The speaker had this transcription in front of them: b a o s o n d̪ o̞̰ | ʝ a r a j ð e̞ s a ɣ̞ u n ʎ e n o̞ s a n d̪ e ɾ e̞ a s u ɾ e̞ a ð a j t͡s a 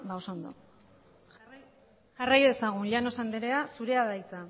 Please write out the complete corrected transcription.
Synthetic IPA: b a o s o n d̪ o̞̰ | ʝ a r a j ð e̞ s a ɣ̞ u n ʎ a n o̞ s a n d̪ e ɾ e̞ a s u ɾ e̞ a ð a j t͡s a